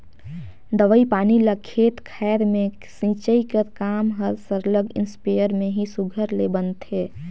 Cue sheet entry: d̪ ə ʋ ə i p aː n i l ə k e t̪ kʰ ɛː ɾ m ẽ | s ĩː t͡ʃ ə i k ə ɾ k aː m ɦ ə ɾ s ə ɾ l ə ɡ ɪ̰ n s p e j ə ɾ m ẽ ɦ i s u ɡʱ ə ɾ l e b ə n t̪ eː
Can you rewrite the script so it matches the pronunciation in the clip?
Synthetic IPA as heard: d̪ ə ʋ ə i p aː n i l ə kʰ e t̪ kʰ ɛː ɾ m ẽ | s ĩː t͡ʃ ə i k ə ɾ k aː m ɦ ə ɾ s ə ɾ l ə ɡ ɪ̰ n s p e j ə ɾ m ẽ ɦ i s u ɡʱ ə ɾ l e b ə n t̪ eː